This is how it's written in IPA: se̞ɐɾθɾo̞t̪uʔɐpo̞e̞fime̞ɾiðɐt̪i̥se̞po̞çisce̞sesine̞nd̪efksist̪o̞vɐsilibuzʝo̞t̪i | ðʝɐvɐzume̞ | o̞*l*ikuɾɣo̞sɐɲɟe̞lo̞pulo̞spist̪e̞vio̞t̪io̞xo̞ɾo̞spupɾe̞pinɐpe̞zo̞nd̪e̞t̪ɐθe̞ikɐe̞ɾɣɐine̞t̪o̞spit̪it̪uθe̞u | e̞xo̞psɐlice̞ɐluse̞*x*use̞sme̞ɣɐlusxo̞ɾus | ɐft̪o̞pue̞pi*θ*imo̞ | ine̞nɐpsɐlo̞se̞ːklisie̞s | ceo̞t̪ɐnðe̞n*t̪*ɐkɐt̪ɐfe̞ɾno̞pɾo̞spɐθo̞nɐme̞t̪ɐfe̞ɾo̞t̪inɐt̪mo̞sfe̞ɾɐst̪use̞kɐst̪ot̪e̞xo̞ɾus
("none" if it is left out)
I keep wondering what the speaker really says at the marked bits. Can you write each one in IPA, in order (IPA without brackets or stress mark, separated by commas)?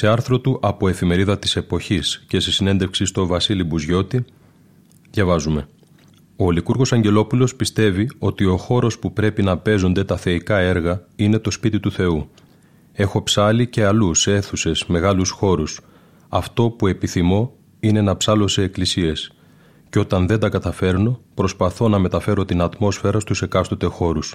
l, θ, θ, d̪